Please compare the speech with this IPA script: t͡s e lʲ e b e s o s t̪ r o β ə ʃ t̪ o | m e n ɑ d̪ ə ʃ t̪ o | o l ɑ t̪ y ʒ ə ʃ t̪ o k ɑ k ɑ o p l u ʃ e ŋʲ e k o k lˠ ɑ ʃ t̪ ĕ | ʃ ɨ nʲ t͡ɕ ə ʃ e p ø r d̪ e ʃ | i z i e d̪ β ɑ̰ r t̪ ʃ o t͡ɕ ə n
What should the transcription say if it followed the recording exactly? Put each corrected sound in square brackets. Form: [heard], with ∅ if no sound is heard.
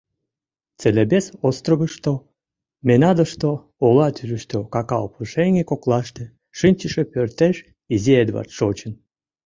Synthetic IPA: t͡s e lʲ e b e s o s t̪ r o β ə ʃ t̪ o | m e n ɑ d̪ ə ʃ t̪ o | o l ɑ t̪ y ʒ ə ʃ t̪ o k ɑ k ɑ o p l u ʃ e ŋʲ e k o k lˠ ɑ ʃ t̪ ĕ | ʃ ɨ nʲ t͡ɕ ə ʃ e p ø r [t̪] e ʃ | i z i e d̪ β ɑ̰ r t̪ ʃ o t͡ɕ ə n